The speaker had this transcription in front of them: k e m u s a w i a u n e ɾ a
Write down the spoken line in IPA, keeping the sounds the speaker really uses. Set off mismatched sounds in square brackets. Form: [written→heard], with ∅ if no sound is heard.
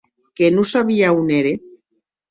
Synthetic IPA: k e [m→n] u s a [w→β] i a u n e ɾ [a→e]